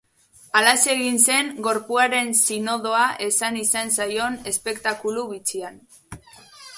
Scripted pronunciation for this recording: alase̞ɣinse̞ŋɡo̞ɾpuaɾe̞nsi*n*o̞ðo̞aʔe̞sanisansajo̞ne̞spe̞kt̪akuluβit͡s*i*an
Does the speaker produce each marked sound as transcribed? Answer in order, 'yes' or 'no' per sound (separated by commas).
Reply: yes, yes